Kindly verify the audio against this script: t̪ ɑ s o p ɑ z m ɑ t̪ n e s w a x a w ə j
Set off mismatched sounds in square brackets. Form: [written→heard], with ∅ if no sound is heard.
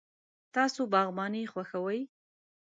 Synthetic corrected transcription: t̪ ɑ s o [p→b] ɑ [z→ɣ] m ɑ [t̪→∅] n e [s→x] w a x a w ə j